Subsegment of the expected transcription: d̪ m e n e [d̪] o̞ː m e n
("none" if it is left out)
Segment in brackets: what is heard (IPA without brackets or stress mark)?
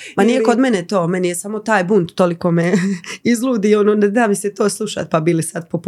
t̪